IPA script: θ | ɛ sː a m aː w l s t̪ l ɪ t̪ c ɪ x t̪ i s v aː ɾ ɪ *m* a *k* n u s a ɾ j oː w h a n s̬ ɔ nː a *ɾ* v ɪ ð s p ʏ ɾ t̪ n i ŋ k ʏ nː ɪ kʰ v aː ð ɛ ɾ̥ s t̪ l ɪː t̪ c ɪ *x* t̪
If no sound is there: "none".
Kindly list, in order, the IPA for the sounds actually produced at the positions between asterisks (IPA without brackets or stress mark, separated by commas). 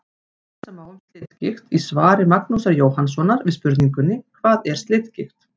m, k, ɾ, x